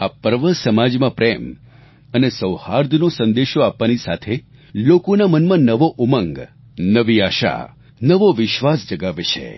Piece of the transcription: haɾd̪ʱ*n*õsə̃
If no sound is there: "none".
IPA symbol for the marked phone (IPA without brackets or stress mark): n